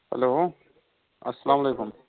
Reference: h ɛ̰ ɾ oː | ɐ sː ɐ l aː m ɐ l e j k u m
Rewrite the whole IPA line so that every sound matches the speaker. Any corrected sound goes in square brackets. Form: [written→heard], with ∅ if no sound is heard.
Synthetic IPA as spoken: h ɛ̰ [ɾ→l] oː | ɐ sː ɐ l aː m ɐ l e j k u m

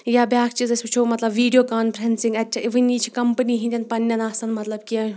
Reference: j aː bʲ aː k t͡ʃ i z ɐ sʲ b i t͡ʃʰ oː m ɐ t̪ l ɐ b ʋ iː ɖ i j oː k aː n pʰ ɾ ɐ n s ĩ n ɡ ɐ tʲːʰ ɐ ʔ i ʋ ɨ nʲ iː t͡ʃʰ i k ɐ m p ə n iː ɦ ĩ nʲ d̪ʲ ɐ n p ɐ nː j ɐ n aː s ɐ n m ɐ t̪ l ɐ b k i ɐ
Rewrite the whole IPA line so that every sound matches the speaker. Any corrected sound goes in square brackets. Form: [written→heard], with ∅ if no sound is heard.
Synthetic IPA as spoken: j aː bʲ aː k t͡ʃ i z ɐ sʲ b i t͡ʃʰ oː m ɐ t̪ l ɐ b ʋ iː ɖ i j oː k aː n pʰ ɾ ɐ n s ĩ [n→ŋ] ɡ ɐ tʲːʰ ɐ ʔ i ʋ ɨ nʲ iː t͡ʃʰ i k ɐ m p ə n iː ɦ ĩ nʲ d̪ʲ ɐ n p ɐ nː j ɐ n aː s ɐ n m ɐ t̪ l ɐ b k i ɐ

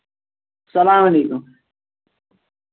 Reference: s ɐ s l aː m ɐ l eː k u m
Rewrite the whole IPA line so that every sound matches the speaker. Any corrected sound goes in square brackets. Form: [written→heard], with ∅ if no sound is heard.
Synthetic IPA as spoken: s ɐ [s→∅] l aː m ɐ l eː k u m

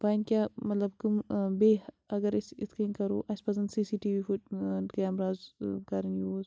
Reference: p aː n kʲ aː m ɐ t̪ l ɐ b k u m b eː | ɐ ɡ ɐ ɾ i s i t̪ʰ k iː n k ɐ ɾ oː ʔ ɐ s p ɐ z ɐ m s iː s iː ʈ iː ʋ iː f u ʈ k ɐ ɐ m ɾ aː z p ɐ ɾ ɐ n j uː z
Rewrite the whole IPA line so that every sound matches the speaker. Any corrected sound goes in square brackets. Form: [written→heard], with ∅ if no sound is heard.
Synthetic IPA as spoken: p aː n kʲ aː m ɐ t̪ l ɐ b k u m b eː | ɐ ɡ ɐ ɾ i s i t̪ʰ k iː n k ɐ ɾ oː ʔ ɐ s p ɐ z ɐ [m→n] s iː s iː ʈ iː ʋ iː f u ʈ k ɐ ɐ m ɾ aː z [p→k] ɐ ɾ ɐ n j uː z

